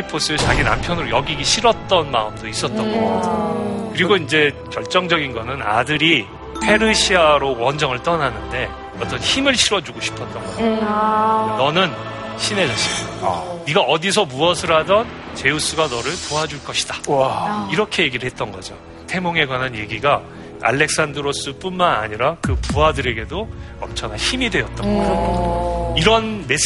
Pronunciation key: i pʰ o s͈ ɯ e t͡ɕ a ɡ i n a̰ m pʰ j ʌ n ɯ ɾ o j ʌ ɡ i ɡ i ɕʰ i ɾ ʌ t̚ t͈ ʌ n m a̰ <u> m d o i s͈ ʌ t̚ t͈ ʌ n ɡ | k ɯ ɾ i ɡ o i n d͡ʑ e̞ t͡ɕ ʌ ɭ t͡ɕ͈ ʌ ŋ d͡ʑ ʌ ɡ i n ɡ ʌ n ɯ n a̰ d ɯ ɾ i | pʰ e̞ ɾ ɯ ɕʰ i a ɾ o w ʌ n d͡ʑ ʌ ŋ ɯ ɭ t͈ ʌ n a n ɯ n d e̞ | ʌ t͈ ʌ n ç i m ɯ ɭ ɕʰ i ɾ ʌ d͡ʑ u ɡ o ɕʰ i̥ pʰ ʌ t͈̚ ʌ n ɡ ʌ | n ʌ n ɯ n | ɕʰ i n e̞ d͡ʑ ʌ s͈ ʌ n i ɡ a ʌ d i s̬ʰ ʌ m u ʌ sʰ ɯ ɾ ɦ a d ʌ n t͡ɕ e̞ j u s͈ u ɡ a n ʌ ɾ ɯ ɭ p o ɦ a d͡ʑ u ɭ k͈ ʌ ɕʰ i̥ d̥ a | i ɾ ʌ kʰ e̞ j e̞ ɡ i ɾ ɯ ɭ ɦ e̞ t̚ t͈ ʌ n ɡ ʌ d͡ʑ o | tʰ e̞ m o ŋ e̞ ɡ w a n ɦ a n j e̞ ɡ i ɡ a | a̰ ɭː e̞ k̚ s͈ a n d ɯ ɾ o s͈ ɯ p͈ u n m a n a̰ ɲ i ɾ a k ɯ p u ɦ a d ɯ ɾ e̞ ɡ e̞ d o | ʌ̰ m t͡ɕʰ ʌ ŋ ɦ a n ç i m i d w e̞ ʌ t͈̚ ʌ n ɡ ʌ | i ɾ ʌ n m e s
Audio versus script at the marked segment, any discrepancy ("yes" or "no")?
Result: yes